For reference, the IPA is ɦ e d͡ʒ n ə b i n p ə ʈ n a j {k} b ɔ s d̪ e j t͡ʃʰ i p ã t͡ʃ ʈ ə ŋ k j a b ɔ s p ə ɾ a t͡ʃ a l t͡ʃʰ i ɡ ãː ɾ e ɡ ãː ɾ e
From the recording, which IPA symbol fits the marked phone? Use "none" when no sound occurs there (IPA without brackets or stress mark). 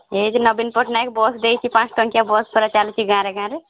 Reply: k